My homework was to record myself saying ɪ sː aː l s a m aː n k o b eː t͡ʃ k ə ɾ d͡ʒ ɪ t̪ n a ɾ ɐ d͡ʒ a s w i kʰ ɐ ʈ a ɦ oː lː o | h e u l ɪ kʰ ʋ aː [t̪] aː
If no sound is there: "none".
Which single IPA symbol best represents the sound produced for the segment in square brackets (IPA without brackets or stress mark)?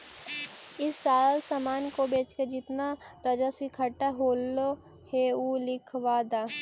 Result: d̪